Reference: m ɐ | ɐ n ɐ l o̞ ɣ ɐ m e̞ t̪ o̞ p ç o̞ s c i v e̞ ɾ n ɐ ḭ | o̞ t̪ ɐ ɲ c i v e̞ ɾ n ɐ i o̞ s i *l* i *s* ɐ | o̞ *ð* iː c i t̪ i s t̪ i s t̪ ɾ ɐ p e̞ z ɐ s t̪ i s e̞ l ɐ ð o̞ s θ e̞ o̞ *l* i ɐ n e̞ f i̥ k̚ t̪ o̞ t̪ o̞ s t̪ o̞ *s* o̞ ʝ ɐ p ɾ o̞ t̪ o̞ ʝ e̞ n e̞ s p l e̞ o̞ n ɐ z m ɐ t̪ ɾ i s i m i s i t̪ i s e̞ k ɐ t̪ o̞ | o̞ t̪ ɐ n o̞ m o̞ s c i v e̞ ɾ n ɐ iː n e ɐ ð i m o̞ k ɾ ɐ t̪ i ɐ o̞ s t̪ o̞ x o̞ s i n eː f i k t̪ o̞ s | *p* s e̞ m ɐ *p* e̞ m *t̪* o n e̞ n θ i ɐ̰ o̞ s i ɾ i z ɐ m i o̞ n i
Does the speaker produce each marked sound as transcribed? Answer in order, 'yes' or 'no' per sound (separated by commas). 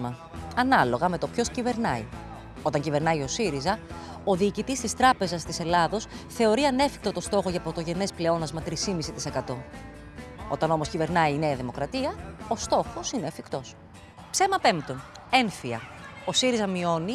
no, no, yes, no, no, yes, yes, yes